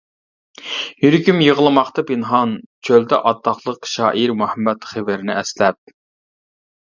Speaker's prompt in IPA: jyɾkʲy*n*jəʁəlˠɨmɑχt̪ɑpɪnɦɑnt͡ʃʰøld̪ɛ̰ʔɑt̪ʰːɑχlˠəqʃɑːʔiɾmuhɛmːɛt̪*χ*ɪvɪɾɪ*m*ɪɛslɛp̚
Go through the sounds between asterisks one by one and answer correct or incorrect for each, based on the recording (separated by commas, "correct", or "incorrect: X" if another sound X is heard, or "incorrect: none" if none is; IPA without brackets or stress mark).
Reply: incorrect: m, correct, incorrect: n